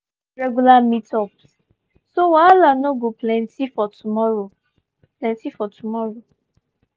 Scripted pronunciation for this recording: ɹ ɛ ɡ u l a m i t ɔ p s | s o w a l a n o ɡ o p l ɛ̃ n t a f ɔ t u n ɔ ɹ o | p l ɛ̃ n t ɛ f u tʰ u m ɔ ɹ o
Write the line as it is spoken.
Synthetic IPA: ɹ ɛ ɡ u l a m i t ɔ p s | s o w a l a n o ɡ o p l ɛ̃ n t i f ɔ t u m ɔ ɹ o | p l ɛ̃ n t i f ɔ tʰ u m ɔ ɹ o